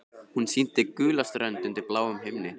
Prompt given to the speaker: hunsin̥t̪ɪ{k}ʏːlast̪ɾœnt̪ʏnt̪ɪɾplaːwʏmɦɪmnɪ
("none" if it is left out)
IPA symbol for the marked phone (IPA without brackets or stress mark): k